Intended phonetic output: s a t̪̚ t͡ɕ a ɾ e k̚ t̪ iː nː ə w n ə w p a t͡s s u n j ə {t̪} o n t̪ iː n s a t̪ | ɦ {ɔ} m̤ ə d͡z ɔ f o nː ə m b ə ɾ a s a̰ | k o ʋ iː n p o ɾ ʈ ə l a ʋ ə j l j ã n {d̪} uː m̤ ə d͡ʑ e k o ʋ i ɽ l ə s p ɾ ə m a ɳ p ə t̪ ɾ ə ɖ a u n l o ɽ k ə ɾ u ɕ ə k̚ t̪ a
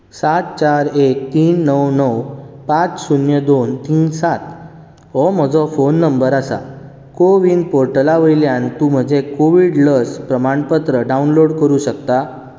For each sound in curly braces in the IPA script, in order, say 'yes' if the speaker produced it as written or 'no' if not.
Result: no, yes, no

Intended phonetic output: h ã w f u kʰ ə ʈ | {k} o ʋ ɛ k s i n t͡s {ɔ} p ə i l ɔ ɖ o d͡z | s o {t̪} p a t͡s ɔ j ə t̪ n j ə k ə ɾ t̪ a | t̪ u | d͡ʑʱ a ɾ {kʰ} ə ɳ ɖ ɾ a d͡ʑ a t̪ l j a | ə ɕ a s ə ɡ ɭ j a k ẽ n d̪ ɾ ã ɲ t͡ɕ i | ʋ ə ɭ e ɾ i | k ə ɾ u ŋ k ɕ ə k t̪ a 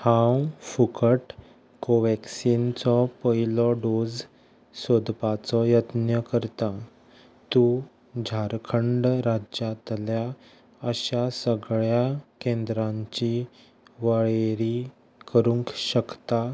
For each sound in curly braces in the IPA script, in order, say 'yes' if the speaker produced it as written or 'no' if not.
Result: yes, yes, no, yes

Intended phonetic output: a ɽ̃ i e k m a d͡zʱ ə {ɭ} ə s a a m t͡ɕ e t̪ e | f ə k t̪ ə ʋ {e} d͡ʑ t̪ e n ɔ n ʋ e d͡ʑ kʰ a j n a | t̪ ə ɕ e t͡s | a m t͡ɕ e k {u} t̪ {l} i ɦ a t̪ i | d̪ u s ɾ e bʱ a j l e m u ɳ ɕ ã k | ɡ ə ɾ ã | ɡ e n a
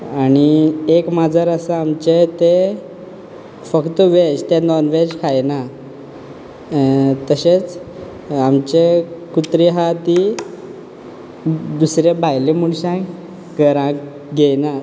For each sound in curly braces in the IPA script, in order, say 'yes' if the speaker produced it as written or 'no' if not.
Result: no, yes, yes, no

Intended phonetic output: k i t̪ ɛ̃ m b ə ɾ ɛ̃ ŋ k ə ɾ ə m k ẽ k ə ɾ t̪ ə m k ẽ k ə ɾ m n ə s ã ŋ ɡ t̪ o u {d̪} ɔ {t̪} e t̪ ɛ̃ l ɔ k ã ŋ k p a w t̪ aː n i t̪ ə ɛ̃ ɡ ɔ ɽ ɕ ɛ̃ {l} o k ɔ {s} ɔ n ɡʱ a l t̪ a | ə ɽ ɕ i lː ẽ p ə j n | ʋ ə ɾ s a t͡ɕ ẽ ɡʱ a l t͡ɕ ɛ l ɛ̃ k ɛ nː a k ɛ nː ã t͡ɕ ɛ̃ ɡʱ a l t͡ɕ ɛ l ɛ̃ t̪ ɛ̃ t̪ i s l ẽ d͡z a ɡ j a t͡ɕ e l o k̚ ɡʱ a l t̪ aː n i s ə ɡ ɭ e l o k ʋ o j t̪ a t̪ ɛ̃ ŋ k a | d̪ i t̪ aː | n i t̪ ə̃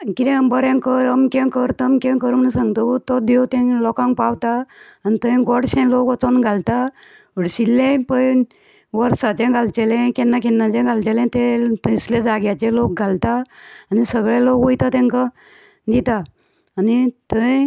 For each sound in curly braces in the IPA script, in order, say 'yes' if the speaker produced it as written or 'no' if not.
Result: no, no, yes, no

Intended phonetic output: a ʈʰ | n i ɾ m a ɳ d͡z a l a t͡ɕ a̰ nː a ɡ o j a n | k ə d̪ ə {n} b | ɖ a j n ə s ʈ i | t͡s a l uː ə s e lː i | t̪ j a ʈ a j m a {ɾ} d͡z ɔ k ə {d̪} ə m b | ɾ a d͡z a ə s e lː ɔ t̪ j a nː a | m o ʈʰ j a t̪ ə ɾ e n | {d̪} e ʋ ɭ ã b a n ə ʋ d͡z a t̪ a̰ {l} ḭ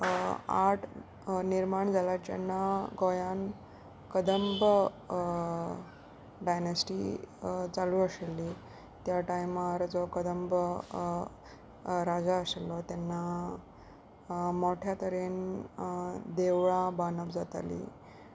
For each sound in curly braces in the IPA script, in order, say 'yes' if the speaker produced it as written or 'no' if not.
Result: no, yes, yes, yes, yes

